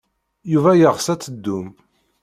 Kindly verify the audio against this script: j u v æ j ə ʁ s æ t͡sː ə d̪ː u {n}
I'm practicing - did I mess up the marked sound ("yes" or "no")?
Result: yes